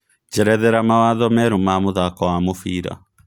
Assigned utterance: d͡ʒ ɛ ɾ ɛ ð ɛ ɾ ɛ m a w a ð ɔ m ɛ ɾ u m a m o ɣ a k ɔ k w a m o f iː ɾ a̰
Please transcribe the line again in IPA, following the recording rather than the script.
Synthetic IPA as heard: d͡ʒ ɛ ɾ ɛ ð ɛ ɾ a m a w a ð ɔ m ɛ ɾ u m a m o ð a k ɔ w a m o f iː ɾ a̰